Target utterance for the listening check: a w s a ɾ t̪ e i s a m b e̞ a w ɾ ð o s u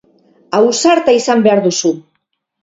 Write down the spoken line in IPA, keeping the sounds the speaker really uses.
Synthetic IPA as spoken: a w s a ɾ t̪ a i s a m b e̞ a ɾ ð u s u